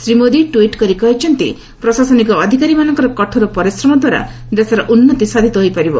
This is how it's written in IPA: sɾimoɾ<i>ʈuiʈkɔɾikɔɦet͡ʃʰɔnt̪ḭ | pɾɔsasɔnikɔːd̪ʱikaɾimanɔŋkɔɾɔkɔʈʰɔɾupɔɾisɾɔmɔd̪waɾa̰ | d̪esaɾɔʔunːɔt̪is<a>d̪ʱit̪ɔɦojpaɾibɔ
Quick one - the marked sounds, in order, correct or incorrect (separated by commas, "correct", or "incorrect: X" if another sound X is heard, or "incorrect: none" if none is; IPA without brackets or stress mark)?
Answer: correct, correct